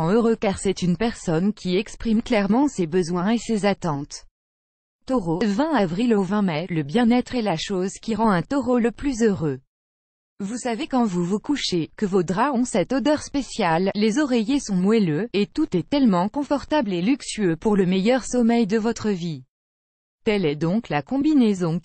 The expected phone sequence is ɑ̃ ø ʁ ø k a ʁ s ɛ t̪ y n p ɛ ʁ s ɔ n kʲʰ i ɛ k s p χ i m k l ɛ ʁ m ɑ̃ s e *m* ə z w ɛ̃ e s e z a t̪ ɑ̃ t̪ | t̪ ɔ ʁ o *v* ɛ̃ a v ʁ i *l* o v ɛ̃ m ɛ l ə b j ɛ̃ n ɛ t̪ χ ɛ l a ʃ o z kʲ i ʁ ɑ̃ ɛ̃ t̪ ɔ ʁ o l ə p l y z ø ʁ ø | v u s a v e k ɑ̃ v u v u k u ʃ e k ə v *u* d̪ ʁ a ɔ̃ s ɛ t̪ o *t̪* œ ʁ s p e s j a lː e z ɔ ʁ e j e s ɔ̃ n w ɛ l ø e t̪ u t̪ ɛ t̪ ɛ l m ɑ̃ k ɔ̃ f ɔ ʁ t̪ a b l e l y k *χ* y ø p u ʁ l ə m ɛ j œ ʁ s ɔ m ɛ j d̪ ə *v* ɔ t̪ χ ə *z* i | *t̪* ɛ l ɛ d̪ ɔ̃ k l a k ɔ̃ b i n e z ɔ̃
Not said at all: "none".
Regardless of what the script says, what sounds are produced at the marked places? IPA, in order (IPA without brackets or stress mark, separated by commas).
b, v, l, o, d̪, s, v, v, t̪